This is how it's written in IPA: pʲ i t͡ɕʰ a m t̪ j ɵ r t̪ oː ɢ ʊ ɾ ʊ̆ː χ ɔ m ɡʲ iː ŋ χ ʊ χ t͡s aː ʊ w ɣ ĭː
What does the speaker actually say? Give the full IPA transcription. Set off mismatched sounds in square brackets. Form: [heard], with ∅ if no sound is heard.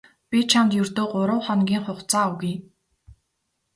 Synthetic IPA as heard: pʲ i t͡ɕʰ a m t̪ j ɵ r t̪ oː ɢ ʊ ɾ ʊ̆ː χ ɔ [n] ɡʲ iː ŋ χ ʊ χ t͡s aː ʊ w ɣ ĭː